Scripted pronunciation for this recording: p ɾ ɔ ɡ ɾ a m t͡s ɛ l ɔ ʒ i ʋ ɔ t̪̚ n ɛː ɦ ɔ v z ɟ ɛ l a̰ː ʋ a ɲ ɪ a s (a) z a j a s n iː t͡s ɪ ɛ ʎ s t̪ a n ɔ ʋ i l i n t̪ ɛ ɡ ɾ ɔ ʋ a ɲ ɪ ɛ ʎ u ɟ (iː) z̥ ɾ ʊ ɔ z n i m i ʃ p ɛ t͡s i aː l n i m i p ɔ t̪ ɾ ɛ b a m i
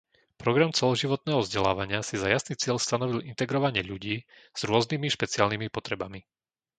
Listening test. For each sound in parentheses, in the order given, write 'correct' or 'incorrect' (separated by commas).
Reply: incorrect, correct